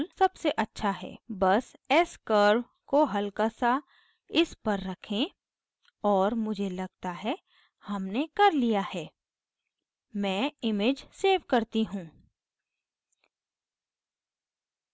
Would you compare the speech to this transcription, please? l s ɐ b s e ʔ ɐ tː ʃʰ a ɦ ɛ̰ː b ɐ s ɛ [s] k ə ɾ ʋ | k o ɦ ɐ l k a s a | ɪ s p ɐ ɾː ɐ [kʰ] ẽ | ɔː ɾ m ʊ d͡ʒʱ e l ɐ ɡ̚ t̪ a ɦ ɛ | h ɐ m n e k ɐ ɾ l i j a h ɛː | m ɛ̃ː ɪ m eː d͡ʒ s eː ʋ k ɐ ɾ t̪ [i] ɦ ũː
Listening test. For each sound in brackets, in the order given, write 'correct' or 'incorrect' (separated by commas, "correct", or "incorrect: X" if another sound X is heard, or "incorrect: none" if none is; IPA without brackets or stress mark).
correct, correct, correct